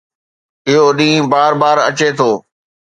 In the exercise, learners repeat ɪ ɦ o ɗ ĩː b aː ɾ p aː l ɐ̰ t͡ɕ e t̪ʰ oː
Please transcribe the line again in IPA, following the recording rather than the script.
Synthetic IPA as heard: ɪ ɦ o ɗ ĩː b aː ɾ b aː ɾ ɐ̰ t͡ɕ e t̪ʰ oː

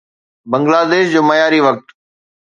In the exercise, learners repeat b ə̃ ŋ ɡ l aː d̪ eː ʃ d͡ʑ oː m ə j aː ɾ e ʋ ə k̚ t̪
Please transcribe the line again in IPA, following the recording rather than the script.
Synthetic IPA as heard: b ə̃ ŋ ɡ l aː d̪ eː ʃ d͡ʑ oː m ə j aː ɾ i ʋ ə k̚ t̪

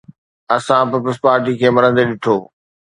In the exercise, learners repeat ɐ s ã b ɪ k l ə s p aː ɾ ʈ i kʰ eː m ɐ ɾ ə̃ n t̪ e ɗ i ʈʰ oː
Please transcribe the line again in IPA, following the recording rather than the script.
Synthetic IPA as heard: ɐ s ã p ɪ p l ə s p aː ɾ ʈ i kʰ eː m ɐ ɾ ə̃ n d̪ e ɗ ɪ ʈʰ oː

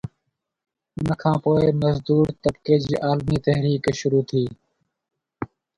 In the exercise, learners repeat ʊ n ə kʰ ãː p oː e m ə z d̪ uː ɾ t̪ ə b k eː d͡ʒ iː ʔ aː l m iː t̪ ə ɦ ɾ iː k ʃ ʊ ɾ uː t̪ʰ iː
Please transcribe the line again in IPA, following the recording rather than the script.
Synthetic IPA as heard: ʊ n ə kʰ ãː p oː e m ə z d̪ uː ɾ t̪ ə b k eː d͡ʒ iː ʔ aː l m iː t̪ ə ɦ ɾ iː k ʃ ʊ ɾ uː t̪ʰ iː

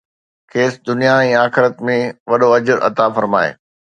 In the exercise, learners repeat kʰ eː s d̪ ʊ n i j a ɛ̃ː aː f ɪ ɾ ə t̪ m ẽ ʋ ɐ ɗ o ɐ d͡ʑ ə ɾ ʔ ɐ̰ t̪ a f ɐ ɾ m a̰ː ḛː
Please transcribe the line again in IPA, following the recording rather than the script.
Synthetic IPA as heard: kʰ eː s d̪ ʊ n i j a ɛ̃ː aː x ɪ ɾ ə t̪ m ẽ ʋ ɐ ɗ o ɐ d͡ʑ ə ɾ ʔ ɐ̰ t̪ a f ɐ ɾ m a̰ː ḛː

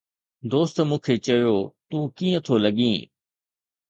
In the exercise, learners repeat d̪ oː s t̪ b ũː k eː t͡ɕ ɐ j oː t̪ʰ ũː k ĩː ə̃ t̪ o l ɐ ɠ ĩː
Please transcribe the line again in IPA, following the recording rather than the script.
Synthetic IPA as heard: d̪ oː s t̪ m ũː kʰ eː t͡ɕ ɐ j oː t̪ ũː k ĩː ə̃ t̪ʰ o l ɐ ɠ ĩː

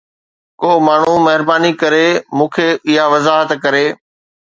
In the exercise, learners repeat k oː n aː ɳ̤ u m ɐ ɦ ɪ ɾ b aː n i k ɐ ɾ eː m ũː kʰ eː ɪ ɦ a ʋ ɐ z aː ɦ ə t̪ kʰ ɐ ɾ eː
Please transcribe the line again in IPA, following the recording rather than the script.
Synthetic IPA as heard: k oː m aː ɳ̤ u m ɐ ɦ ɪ ɾ b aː n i k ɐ ɾ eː m ũː kʰ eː ɪ ɦ a ʋ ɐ z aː ɦ ə t̪ k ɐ ɾ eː

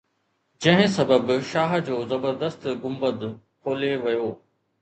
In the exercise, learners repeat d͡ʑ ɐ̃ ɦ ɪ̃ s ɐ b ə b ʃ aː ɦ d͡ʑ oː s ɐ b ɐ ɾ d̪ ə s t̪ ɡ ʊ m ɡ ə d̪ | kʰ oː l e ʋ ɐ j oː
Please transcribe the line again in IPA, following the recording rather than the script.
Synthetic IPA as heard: d͡ʑ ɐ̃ ɦ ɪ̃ s ɐ b ə b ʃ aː ɦ d͡ʑ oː z ɐ b ə ɾ d̪ ə s t̪ ɡ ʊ m b ə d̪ | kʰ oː l e ʋ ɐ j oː

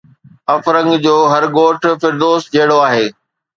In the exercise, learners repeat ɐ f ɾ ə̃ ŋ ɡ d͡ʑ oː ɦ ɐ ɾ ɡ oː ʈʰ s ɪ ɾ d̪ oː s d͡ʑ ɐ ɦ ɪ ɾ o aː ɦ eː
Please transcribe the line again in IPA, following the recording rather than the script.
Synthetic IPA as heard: ɐ f ɾ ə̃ ŋ ɡ d͡ʑ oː ɦ ɐ ɾ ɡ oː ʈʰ f ɪ ɾ d̪ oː s d͡ʑ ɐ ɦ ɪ ɽ o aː ɦ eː

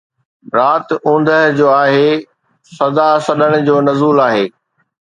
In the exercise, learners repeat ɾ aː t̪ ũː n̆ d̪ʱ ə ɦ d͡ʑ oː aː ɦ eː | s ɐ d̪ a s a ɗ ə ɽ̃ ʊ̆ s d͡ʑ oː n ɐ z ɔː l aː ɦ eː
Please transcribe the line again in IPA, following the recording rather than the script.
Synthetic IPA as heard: ɾ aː t̪ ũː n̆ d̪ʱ ə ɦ d͡ʑ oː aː ɦ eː | s ɐ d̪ a s ɐ ɗ ə ɽ̃ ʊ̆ d͡ʑ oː n ɐ z uː l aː ɦ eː

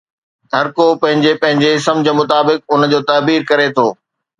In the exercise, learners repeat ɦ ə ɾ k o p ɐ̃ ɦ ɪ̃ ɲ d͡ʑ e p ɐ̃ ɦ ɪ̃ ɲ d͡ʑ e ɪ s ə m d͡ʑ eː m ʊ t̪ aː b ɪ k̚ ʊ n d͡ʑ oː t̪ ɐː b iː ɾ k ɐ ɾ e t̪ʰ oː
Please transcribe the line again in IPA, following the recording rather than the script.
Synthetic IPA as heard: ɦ ɐ ɾ k o p ɐ̃ ɦ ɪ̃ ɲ d͡ʑ e p ɐ̃ ɦ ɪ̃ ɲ d͡ʑ e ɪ s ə m d͡ʑ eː m ʊ t̪ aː b ɪ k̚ ʊ n d͡ʑ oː t̪ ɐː b iː ɾ k ɐ ɾ e t̪ʰ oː

